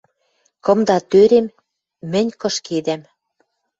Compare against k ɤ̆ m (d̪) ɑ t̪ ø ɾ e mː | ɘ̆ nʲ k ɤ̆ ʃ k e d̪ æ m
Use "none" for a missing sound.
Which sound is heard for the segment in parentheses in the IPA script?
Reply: d̪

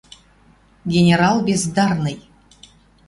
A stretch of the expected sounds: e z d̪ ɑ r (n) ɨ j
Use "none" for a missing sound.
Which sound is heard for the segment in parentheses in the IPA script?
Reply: n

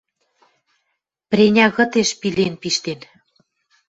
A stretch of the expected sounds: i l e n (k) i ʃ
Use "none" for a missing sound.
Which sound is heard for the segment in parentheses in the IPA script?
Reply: p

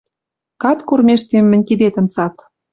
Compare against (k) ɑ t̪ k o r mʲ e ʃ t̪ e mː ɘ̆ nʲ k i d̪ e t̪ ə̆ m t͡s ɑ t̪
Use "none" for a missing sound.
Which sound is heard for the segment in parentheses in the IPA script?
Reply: k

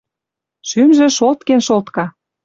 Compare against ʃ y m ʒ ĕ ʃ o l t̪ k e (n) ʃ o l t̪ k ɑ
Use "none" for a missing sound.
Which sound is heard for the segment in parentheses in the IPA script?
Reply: n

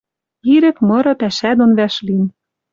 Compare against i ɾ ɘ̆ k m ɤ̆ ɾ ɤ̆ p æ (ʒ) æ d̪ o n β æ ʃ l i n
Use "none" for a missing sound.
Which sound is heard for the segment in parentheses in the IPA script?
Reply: ʃ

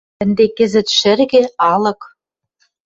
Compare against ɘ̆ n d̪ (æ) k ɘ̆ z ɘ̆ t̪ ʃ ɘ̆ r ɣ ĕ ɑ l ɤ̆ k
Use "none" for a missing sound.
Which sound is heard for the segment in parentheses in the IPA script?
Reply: e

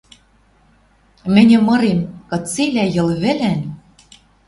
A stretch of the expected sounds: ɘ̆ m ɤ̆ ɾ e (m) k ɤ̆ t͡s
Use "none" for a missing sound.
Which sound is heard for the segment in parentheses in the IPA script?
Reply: m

